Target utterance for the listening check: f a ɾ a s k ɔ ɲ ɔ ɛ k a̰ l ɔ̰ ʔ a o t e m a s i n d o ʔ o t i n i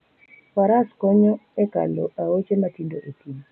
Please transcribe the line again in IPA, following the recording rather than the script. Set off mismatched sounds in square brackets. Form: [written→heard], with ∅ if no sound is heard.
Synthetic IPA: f a ɾ a s k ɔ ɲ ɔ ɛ k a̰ l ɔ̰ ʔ a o [t→t͡ʃ] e m a [s→t] i n d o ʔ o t i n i